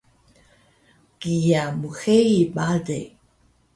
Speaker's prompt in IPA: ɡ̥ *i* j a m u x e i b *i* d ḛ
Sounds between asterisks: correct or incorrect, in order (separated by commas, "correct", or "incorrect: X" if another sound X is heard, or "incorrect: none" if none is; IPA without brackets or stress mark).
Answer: correct, incorrect: a